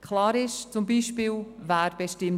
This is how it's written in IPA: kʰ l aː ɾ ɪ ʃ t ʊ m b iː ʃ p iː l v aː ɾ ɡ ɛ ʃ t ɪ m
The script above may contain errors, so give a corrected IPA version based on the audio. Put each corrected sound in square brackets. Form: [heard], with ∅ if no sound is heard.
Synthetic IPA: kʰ l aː ɾ ɪ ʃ [t͡s] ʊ m b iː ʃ p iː l v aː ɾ [b] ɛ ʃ t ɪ m